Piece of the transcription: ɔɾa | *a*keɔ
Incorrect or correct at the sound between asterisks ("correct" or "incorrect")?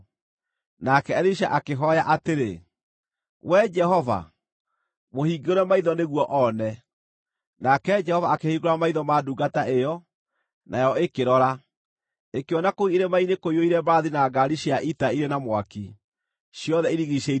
incorrect